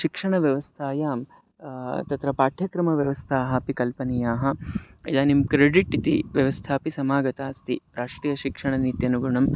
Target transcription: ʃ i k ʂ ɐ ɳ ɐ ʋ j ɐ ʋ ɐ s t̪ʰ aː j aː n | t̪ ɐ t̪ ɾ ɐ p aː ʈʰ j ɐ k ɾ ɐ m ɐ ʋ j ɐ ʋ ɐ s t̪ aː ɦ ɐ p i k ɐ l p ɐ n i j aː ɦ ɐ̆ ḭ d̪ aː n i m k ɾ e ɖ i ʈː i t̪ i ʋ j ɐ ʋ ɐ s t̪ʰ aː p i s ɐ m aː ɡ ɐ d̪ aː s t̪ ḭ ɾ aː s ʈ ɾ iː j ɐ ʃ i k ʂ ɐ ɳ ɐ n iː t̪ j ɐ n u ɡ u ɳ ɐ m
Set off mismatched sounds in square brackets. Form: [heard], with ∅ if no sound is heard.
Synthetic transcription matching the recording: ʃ i k ʂ ɐ ɳ ɐ ʋ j ɐ ʋ ɐ s t̪ʰ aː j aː [m] | t̪ ɐ t̪ ɾ ɐ p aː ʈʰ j ɐ k ɾ ɐ m ɐ ʋ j ɐ ʋ ɐ s [t̪ʰ] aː ɦ ɐ p i k ɐ l p ɐ n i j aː ɦ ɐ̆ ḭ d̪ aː n i m k ɾ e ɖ i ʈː i t̪ i ʋ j ɐ ʋ ɐ s t̪ʰ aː p i s ɐ m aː ɡ ɐ [t̪] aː s t̪ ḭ ɾ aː [ʂ] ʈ ɾ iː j ɐ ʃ i k ʂ ɐ ɳ ɐ n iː t̪ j ɐ n u ɡ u ɳ ɐ m